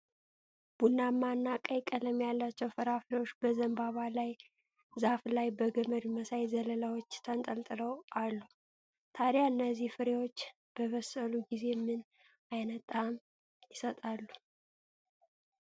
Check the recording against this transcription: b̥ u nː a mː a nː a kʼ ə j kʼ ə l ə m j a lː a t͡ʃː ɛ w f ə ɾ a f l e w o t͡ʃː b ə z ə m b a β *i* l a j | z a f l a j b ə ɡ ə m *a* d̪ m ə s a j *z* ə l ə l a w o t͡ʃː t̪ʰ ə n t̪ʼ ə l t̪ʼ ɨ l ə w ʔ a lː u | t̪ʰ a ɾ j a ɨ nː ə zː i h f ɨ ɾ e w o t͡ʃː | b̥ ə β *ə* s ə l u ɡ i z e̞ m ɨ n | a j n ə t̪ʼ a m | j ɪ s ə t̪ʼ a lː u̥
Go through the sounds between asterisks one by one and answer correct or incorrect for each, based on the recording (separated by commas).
incorrect, incorrect, correct, correct